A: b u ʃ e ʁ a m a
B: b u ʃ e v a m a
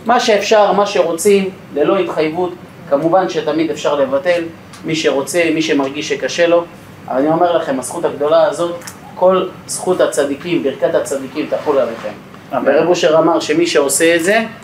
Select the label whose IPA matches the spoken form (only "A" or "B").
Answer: A